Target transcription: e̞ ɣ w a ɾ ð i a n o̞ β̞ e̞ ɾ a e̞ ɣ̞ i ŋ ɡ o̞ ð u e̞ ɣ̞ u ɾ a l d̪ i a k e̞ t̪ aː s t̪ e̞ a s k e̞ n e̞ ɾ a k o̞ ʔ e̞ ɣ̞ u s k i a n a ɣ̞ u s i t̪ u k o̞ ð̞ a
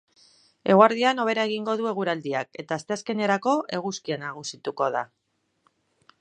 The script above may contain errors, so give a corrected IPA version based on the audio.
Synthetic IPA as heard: e̞ ɣ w a ɾ ð i a n o̞ β̞ e̞ ɾ a e̞ ɣ̞ i ŋ ɡ o̞ ð u e̞ ɣ̞ u ɾ a l d̪ i a k e̞ t̪ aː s t̪ e̞ a s k e̞ n e̞ ɾ a k o̞ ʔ e̞ ɣ̞ u s k i a n a ɣ̞ u s i t̪ u k o̞ ð̞ a